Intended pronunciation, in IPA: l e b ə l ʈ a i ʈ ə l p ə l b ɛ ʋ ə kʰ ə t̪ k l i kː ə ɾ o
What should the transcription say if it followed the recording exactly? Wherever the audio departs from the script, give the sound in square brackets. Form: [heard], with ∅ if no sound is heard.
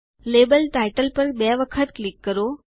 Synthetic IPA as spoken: l e b ə l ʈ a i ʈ ə l p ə [ɾ] b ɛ ʋ ə kʰ ə t̪ k l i kː ə ɾ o